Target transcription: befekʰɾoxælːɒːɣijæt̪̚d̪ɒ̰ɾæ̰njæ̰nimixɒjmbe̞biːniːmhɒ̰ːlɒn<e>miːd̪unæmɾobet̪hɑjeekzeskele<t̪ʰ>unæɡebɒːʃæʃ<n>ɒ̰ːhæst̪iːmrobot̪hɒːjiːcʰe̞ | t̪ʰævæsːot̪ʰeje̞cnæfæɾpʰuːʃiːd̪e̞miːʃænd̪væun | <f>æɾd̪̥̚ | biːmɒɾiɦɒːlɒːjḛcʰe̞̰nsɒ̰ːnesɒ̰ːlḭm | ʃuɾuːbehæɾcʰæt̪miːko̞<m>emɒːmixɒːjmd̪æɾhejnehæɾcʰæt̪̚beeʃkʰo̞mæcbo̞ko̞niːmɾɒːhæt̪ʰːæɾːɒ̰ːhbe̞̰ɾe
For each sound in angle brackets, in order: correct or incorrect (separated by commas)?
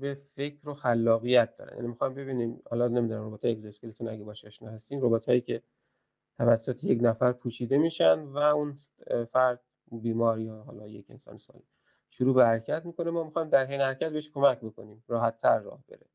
correct, incorrect, correct, correct, incorrect